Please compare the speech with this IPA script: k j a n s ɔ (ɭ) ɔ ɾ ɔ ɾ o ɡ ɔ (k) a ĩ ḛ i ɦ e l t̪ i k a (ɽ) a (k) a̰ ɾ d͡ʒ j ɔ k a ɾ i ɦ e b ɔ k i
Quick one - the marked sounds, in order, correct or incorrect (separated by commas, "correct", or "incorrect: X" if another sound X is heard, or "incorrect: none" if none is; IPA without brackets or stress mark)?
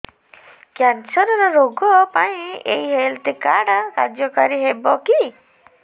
incorrect: ɾ, incorrect: p, correct, correct